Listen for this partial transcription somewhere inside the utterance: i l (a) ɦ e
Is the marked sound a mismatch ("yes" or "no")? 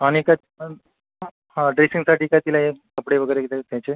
no